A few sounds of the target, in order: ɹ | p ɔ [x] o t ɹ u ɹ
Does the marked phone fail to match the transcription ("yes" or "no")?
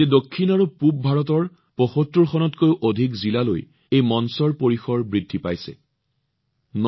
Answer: no